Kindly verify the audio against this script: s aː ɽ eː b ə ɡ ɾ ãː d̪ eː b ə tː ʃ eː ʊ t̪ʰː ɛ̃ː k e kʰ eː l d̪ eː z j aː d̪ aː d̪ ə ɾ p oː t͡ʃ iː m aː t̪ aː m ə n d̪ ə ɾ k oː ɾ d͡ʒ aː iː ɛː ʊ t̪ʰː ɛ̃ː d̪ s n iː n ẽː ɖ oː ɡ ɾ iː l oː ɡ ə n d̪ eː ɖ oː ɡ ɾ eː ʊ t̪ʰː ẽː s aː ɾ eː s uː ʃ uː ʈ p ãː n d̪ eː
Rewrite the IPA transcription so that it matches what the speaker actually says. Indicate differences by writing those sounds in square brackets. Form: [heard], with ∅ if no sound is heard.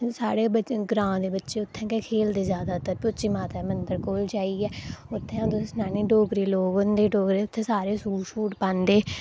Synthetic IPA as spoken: s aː ɽ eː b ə ɡ ɾ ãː d̪ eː b ə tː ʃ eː ʊ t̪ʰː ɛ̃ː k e kʰ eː l d̪ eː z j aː d̪ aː [t̪] ə ɾ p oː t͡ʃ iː m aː t̪ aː m ə n d̪ ə ɾ k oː [l] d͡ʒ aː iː ɛː ʊ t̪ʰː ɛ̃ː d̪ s n [aː] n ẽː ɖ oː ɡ ɾ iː l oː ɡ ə n d̪ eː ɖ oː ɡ ɾ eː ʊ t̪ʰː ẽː s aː ɾ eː s uː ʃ uː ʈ p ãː n d̪ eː